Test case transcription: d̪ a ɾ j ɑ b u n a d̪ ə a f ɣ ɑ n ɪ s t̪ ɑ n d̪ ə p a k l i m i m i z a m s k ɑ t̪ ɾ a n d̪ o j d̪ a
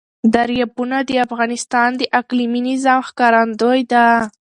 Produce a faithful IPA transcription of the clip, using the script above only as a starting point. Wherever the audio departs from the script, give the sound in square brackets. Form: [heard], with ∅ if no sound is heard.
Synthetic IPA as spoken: d̪ a ɾ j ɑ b u n a d̪ ə a f ɣ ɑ n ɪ s t̪ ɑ n d̪ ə [ʔ] a k l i m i [n] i z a m [x] k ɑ [∅] ɾ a n d̪ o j d̪ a